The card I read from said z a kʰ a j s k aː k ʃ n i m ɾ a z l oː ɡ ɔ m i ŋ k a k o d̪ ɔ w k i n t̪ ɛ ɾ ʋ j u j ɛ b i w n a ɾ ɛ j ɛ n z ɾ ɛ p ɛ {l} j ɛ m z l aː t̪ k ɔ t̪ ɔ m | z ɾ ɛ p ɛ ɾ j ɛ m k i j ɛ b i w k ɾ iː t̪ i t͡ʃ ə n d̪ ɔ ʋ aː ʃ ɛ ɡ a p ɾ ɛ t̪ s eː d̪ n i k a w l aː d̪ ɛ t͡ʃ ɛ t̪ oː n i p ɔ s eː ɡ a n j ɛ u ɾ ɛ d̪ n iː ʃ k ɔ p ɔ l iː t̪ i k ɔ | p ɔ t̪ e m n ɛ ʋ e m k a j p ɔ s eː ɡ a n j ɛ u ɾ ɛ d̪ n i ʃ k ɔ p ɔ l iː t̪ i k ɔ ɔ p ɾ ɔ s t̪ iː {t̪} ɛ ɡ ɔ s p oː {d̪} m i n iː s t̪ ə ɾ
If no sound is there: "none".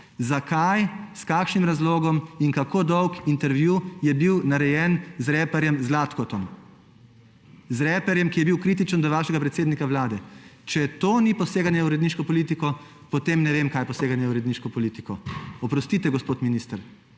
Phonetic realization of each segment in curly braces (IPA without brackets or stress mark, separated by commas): ɾ, t̪, t̪